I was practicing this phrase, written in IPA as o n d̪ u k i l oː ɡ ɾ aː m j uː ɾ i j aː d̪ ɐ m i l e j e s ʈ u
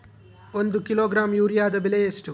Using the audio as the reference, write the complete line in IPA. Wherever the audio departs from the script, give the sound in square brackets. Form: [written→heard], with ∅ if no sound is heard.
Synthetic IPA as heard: o n d̪ u k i l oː ɡ ɾ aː m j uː ɾ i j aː d̪ ɐ [m→b] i l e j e s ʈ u

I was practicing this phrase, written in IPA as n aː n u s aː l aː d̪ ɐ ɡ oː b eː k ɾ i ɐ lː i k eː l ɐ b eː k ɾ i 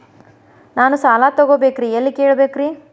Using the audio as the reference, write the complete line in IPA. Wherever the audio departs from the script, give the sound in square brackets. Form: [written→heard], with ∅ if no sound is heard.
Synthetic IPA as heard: n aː n u s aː l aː [d̪→t̪] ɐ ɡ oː b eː k ɾ i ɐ lː i k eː [l→ɭ] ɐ b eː k ɾ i

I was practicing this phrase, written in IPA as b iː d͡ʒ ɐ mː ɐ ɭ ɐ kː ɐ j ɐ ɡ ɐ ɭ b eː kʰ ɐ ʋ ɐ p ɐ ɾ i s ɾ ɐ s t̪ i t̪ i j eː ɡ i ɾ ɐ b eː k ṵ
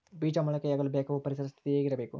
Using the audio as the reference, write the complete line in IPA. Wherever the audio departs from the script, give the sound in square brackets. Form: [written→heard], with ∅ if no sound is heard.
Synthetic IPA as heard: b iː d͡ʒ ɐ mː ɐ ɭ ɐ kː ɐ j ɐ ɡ ɐ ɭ b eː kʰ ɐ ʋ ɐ p ɐ ɾ i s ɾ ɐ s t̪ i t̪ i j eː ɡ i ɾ ɐ b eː k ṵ

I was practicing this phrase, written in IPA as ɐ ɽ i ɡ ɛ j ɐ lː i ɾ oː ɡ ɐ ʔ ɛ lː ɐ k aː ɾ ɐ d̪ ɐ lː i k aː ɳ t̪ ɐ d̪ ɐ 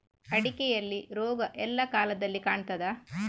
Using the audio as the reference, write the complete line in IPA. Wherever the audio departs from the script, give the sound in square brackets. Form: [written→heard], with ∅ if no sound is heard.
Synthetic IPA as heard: ɐ ɽ i [ɡ→k] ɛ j ɐ lː i ɾ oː ɡ ɐ ʔ ɛ lː ɐ k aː [ɾ→l] ɐ d̪ ɐ lː i k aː ɳ t̪ ɐ d̪ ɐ

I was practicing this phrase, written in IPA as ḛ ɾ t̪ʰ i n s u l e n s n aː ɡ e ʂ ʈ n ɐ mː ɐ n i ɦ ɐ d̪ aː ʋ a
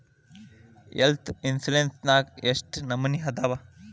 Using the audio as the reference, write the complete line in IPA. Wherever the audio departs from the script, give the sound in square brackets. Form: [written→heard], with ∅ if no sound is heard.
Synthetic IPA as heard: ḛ [ɾ→l] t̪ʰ i n s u l e n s n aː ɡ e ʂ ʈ n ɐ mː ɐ n i ɦ ɐ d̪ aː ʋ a

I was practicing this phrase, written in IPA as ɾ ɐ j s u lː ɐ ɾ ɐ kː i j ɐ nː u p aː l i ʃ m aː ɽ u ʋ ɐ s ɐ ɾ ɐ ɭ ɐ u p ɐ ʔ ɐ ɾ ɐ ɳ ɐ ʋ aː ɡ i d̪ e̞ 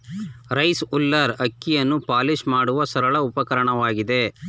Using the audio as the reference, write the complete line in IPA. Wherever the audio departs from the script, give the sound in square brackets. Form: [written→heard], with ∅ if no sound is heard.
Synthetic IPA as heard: ɾ ɐ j s u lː ɐ ɾ ɐ kː i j ɐ nː u p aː l i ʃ m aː ɽ u ʋ ɐ s ɐ ɾ ɐ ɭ ɐ u p ɐ [ʔ→k] ɐ ɾ ɐ ɳ ɐ ʋ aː ɡ i d̪ e̞

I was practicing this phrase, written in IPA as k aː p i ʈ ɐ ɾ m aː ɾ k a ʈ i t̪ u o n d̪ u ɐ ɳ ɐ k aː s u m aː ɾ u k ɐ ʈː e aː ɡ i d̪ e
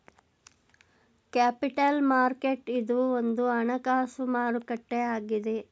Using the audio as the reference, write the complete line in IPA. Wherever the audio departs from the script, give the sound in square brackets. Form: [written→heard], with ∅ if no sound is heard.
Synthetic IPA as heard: k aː p i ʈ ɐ [ɾ→l] m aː ɾ k [a→e] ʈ i [t̪→d̪] u o n d̪ u ɐ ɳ ɐ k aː s u m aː ɾ u k ɐ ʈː e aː ɡ i d̪ e

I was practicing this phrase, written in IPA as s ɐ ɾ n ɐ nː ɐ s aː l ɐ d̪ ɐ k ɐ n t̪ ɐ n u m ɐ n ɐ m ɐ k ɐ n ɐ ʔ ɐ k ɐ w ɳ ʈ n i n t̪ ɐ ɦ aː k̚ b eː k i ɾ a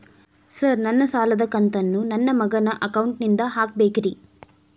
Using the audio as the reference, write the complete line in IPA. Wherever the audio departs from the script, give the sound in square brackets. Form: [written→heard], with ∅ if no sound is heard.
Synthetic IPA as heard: s ɐ ɾ n ɐ nː ɐ s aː l ɐ d̪ ɐ k ɐ n t̪ ɐ [n→nː] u [m→n] ɐ [n→nː] ɐ m ɐ [k→ɡ] ɐ n ɐ ʔ ɐ k ɐ w ɳ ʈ n i n [t̪→d̪] ɐ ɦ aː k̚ b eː k i ɾ [a→i]

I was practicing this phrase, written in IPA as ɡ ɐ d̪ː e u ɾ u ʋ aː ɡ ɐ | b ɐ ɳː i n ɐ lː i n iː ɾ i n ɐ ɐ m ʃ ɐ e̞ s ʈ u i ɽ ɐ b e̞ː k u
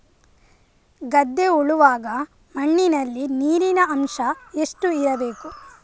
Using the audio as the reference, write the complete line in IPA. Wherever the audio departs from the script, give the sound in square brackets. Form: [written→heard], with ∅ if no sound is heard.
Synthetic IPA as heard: ɡ ɐ d̪ː e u [ɾ→ɭ] u ʋ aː ɡ ɐ | [b→m] ɐ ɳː i n ɐ lː i n iː ɾ i n ɐ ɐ m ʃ ɐ e̞ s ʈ u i [ɽ→ɾ] ɐ b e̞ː k u

